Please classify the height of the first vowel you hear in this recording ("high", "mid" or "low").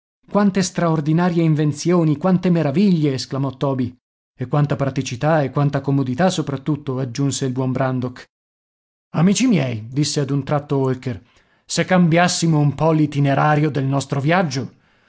low